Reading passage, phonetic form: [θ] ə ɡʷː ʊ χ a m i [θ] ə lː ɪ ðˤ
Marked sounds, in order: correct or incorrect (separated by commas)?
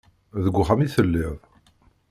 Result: incorrect, correct